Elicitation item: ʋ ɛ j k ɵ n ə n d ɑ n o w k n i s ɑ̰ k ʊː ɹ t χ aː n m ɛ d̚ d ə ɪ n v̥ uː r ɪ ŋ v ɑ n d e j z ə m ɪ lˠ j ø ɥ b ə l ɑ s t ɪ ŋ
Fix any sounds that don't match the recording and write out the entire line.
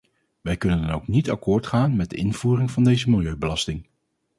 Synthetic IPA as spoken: ʋ ɛ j k ɵ n ə n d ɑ n o w k n i t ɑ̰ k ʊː ɹ t χ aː n m ɛ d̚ d ə ɪ n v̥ uː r ɪ ŋ v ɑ n d e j z ə m ɪ lˠ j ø ɥ b ə l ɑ s t ɪ ŋ